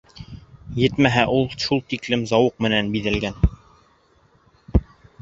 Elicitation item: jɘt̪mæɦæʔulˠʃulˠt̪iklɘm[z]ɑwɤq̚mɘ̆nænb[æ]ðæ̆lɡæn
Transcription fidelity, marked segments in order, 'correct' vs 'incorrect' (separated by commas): correct, incorrect